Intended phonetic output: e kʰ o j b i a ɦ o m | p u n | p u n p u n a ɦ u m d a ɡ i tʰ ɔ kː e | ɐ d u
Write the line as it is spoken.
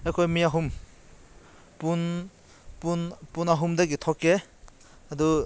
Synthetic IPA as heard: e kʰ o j m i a ɦ u m | p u n | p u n p u n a ɦ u m d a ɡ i tʰ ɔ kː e | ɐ d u

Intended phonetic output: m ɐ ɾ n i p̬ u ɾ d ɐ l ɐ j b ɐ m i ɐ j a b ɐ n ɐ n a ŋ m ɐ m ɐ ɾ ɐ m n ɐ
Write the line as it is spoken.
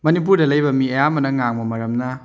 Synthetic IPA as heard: m ɐ n i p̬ u ɾ d ɐ l ɐ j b ɐ m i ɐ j a m ɐ n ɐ ŋ a ŋ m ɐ m ɐ ɾ ɐ m n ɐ

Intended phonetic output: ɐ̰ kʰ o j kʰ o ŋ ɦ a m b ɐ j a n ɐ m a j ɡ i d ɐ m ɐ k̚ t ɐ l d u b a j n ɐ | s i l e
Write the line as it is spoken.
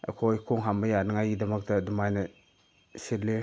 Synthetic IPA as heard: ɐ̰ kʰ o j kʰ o ŋ ɦ a m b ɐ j a n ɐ ŋ a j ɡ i d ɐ m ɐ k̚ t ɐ d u m a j n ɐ | s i l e

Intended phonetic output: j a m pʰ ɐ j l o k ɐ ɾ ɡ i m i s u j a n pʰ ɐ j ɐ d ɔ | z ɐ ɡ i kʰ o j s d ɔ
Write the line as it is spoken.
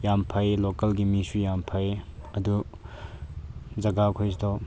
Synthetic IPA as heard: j a m pʰ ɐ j l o k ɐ l ɡ i m i s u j a m pʰ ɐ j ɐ d u | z ɐ ɡ a kʰ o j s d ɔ

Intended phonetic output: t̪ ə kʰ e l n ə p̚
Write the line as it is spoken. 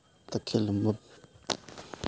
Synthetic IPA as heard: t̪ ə kʰ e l m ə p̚

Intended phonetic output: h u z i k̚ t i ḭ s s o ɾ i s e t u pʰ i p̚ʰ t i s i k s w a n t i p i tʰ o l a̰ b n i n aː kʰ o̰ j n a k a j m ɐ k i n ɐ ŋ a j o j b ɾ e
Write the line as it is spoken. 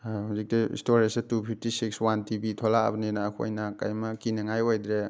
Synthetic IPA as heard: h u z i k̚ t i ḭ s t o ɾ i s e t u pʰ i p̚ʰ t i s i k s w a n t i b i tʰ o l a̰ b n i n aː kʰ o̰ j n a k a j m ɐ k i n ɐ ŋ a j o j d ɾ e

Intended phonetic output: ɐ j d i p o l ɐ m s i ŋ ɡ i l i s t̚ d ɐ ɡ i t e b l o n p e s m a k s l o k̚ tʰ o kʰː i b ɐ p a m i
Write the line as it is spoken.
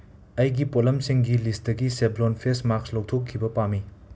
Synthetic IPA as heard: ɐ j ɡ i p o l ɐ m s i ŋ ɡ i l i s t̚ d ɐ ɡ i s e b l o n pʰ e s m a k s l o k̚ tʰ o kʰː i b ɐ p a m i

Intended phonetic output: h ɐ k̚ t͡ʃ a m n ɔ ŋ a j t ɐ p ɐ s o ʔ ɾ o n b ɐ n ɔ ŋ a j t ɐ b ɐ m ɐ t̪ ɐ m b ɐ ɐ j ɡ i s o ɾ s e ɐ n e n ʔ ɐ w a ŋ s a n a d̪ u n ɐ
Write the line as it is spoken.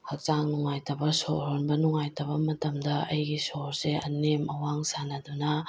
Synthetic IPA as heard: h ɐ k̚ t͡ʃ a ŋ n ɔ ŋ a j t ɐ b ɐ s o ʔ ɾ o n b ɐ n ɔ ŋ a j t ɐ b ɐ m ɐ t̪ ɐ m d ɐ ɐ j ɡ i s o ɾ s e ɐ n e m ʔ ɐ w a ŋ s a n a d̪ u n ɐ

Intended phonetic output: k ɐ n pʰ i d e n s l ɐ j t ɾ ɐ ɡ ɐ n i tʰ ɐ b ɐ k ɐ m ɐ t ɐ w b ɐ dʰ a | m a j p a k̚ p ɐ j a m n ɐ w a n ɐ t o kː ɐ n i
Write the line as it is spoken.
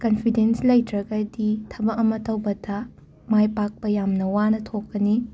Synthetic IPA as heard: k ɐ n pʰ i d e n s l ɐ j t ɾ ɐ ɡ ɐ d i tʰ ɐ b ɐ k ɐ m ɐ t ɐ w b ɐ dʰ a | m a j p a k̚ p ɐ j a m n ɐ w a n ɐ tʰ o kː ɐ n i

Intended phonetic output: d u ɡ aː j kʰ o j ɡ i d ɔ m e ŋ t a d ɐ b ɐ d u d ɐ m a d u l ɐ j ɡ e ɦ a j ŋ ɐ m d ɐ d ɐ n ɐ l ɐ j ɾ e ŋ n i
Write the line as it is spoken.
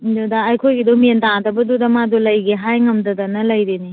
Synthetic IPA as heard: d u d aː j kʰ o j ɡ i d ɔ m e n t a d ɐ b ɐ d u d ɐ m a d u l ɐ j ɡ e ɦ a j ŋ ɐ m d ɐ d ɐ n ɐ l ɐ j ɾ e n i

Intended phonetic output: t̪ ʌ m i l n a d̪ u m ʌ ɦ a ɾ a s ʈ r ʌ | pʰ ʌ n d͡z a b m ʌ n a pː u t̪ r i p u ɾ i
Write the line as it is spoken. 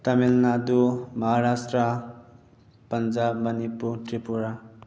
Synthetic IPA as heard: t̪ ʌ m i l n a d̪ u m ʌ ɦ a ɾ a s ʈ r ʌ | p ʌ n d͡z a b m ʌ n i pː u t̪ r i p u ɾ a

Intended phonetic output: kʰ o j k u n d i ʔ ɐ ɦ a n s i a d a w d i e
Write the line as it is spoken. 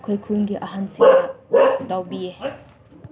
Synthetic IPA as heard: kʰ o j kʰ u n ɡ i ʔ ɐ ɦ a n s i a d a w b i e

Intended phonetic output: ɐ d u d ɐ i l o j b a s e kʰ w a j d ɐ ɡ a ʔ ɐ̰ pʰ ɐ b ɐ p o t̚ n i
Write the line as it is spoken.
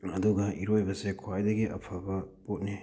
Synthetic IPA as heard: ɐ d u ɡ ɐ i ɾ o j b ɐ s e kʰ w a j d ɐ ɡ i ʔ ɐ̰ pʰ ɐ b ɐ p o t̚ n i

